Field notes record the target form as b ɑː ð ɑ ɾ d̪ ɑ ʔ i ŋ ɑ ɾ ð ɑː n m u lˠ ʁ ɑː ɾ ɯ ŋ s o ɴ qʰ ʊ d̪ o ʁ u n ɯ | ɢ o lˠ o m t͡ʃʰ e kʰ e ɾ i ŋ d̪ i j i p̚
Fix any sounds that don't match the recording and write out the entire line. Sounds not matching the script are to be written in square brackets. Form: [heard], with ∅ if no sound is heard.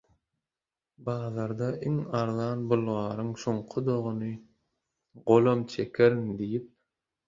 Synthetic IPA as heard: b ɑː ð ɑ ɾ d̪ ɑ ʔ i ŋ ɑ ɾ ð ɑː n [b] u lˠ ʁ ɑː ɾ ɯ ŋ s o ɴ qʰ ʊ d̪ o ʁ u n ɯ | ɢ o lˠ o m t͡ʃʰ e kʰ e ɾ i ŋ d̪ i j i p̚